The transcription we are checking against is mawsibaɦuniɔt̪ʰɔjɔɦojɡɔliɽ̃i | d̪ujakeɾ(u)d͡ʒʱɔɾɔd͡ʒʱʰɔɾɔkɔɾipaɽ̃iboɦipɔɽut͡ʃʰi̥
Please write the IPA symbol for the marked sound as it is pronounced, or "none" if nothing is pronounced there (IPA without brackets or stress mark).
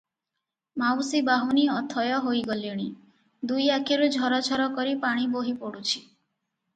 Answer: u